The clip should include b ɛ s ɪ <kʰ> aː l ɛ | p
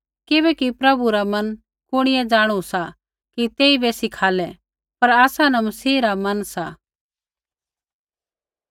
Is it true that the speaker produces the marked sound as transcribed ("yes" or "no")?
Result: yes